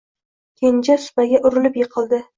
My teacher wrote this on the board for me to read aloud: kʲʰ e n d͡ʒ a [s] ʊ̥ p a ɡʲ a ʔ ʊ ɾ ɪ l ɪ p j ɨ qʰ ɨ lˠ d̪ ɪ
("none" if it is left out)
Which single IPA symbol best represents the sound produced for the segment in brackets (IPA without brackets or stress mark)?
s